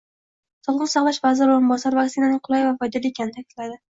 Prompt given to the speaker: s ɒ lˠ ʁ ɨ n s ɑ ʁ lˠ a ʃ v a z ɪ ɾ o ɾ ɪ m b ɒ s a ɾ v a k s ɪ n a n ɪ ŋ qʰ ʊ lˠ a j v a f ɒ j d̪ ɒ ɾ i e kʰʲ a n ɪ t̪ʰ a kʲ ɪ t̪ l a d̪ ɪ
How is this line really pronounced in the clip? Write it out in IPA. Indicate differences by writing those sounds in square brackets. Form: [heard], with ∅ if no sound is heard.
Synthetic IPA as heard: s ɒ lˠ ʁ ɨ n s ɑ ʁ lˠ a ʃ v a z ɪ ɾ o ɾ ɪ m b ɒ s a ɾ v a k s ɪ n a n ɪ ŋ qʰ ʊ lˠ a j v a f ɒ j d̪ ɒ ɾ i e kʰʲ a n ɪ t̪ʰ a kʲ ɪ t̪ l a d̪ ɪ

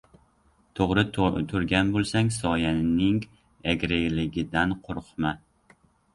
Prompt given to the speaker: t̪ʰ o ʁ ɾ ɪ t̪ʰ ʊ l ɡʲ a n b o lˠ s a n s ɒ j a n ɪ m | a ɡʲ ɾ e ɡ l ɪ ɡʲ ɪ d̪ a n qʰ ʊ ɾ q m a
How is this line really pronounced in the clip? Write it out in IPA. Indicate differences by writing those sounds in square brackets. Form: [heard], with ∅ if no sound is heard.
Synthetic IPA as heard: t̪ʰ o ʁ ɾ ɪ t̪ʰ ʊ [ɾ] ɡʲ a n b o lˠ s a [ŋ] s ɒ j a n ɪ [ŋ] | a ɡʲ ɾ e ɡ l ɪ ɡʲ ɪ d̪ a n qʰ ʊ ɾ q m a

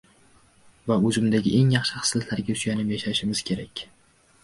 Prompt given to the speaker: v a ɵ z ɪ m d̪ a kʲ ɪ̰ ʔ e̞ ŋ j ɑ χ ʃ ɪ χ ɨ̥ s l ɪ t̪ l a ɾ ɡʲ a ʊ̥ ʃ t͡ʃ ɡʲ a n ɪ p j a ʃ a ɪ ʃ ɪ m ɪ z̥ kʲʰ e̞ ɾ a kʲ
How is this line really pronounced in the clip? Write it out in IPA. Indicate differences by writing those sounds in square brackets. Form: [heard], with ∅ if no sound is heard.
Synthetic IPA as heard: v a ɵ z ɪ m d̪ a [ɡʲ] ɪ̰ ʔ e̞ ŋ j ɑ χ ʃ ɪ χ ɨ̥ s l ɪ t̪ l a ɾ ɡʲ a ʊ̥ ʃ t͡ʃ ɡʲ a n ɪ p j a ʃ a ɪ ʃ ɪ m ɪ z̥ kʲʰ e̞ ɾ a kʲ

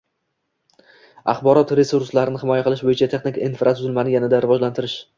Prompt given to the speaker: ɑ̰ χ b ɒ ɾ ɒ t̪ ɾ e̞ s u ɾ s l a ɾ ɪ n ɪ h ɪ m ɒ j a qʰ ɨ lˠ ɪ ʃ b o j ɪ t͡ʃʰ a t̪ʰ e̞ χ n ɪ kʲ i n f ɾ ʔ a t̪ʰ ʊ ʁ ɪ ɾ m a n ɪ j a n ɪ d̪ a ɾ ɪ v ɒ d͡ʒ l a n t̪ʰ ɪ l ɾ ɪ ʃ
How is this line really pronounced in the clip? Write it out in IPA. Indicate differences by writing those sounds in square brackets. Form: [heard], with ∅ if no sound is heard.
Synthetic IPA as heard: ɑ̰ χ b ɒ ɾ ɒ t̪ ɾ e̞ s u ɾ s l a ɾ ɪ n ɪ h ɪ m ɒ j a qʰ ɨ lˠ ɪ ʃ b o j ɪ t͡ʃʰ a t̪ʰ e̞ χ n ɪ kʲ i n f ɾ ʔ a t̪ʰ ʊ [z] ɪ [l] m a n ɪ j a n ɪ d̪ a ɾ ɪ v ɒ d͡ʒ l a n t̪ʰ ɪ [∅] ɾ ɪ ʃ

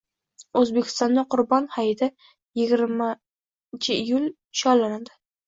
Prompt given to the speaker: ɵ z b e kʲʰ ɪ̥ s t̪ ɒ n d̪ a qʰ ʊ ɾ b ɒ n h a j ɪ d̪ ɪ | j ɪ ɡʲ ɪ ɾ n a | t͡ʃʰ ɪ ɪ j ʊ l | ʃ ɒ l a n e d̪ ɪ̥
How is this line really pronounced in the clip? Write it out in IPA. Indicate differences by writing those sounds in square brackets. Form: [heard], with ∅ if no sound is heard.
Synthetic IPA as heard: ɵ z b e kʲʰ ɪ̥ s t̪ ɒ n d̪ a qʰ ʊ ɾ b ɒ n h a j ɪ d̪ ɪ | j ɪ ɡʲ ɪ ɾ [m] a | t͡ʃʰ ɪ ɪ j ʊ l | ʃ ɒ l a n [a] d̪ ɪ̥

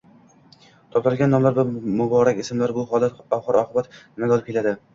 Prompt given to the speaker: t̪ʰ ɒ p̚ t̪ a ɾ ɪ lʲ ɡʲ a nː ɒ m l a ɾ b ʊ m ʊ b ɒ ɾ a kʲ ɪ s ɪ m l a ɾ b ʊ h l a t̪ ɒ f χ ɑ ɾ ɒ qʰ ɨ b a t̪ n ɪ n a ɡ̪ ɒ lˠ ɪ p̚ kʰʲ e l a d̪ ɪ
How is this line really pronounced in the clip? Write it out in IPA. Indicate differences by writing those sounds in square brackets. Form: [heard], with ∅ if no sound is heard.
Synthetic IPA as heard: t̪ʰ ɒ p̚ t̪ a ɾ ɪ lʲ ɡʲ a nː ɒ m l a ɾ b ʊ m ʊ b ɒ ɾ a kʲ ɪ s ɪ m l a ɾ b ʊ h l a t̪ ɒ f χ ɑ ɾ ɒ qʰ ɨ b a t̪ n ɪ [m] a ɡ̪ ɒ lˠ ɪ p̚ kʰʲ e l a d̪ ɪ

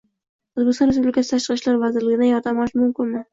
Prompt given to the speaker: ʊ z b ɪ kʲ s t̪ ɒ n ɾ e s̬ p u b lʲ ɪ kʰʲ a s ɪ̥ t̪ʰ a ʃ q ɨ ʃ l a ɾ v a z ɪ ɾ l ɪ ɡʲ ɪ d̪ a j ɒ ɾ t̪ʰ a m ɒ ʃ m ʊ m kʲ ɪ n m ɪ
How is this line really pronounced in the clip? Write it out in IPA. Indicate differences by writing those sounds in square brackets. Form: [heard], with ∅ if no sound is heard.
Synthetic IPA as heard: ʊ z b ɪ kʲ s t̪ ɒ n ɾ e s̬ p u b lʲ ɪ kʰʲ a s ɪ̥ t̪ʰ a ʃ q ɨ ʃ l a ɾ v a z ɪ ɾ l ɪ ɡʲ ɪ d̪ a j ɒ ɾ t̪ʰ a m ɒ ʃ m ʊ m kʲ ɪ n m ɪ

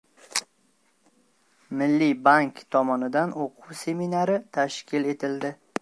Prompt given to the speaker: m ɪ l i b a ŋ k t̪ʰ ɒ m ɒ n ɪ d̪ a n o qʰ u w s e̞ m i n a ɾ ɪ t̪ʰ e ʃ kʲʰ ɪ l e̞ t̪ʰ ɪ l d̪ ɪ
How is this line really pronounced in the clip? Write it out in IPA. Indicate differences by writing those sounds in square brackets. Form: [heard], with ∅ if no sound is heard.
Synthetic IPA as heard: m ɪ [lː] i b a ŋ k t̪ʰ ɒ m ɒ n ɪ d̪ a n o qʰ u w s e̞ m i n a ɾ ɪ t̪ʰ [a] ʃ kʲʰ ɪ l e̞ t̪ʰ ɪ l d̪ ɪ

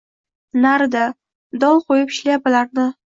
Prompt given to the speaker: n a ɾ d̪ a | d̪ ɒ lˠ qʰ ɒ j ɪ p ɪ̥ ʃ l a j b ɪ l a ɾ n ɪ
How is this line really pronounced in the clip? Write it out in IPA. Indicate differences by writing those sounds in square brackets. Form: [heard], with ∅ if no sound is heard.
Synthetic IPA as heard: n a ɾ d̪ a | d̪ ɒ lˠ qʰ [o] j ɪ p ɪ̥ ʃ l a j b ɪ l a ɾ n ɪ

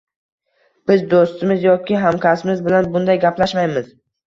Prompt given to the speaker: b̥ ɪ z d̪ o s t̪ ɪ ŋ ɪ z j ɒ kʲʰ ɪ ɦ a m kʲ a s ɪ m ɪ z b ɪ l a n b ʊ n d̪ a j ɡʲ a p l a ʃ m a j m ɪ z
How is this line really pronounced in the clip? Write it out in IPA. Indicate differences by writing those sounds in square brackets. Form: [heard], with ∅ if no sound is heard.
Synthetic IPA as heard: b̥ ɪ z d̪ o s t̪ ɪ [m] ɪ z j ɒ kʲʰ ɪ ɦ a m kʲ a s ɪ m ɪ z b ɪ l a n b ʊ n d̪ a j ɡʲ a p l a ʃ m a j m ɪ z

